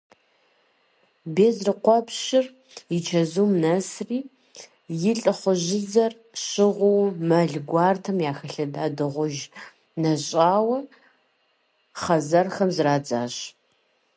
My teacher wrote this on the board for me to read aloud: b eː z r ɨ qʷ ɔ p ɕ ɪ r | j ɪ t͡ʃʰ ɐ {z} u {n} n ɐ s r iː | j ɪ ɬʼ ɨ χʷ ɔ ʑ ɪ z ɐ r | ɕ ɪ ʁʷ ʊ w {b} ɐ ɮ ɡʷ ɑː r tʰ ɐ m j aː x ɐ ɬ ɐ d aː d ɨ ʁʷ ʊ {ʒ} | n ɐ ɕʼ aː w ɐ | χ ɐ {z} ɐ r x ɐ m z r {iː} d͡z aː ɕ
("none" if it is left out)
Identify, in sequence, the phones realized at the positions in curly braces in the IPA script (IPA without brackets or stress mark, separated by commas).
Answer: z, m, m, ʒ, z, aː